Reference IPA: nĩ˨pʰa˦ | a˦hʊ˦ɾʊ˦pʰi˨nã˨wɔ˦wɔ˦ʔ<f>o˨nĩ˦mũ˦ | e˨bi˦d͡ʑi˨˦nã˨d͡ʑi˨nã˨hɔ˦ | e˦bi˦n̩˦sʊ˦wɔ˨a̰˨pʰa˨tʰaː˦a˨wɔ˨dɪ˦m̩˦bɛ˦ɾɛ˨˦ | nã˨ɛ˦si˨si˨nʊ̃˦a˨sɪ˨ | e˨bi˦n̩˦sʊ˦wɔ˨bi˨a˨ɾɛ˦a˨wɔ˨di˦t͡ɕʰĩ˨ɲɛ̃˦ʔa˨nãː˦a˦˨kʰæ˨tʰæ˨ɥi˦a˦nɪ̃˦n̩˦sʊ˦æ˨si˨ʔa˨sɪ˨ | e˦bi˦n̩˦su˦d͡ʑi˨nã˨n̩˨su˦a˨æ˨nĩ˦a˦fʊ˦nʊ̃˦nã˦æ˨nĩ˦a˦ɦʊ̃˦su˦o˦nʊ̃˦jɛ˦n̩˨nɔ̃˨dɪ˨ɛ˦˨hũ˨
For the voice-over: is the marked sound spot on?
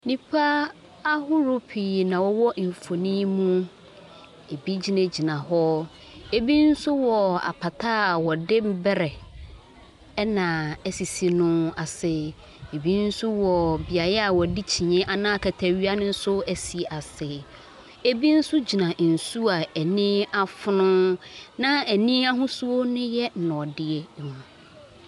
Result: yes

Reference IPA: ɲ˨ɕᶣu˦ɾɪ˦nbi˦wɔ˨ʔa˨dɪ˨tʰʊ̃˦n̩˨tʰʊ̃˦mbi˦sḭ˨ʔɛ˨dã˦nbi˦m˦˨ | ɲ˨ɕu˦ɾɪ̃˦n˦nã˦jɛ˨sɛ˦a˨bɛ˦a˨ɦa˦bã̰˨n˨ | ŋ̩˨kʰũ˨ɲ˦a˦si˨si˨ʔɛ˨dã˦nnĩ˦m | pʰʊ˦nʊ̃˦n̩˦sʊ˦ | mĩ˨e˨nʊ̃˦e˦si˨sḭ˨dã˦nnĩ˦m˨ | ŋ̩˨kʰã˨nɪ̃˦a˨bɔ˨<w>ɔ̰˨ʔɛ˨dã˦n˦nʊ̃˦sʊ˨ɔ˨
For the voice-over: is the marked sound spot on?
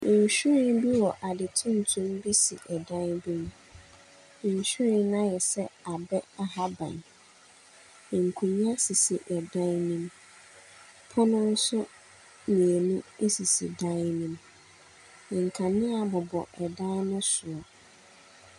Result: no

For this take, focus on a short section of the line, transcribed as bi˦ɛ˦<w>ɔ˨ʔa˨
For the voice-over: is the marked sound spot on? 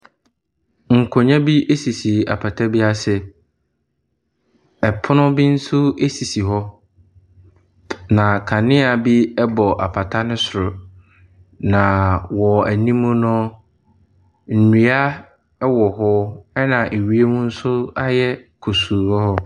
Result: no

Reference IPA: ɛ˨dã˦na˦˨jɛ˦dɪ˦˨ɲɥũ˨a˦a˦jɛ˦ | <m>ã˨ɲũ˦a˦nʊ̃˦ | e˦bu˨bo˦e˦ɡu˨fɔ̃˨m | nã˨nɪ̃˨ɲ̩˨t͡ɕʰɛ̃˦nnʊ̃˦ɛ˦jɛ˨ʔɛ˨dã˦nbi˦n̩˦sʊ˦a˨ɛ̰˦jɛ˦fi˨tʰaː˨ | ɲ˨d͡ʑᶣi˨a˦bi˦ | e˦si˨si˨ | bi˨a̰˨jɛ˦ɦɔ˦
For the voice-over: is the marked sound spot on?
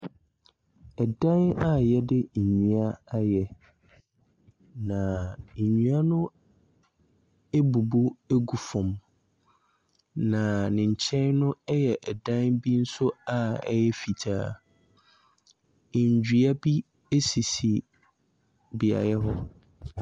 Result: no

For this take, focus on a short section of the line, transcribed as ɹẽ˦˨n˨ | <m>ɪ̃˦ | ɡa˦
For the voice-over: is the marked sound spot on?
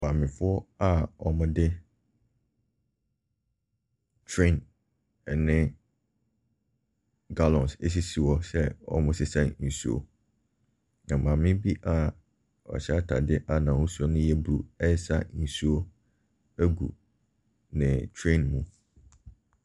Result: no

